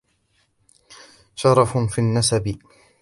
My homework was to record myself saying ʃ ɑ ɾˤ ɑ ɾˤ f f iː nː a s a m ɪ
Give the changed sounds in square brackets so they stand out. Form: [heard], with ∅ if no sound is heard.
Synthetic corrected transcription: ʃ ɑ ɾˤ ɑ [∅] f f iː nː a s a [b] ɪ